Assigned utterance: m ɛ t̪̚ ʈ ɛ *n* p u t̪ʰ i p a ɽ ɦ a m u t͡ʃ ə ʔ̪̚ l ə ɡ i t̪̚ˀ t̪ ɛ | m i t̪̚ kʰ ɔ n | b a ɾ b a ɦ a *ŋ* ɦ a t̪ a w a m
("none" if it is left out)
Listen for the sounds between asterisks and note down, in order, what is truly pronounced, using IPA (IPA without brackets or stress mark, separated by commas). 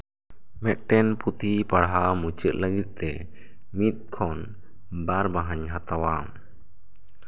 n, ɲ